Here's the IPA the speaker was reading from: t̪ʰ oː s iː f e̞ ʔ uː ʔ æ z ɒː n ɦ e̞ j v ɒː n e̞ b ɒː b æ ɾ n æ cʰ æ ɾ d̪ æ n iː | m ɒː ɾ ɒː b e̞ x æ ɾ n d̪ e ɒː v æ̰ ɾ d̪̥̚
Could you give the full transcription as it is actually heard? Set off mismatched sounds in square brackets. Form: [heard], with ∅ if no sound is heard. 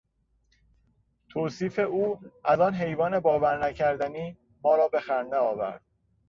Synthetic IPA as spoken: t̪ʰ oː s iː f e̞ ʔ uː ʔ æ z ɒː n ɦ e̞ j v ɒː n e̞ b ɒː [v] æ ɾ n æ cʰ æ ɾ d̪ æ n iː | m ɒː ɾ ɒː b e̞ x æ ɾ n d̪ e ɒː v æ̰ ɾ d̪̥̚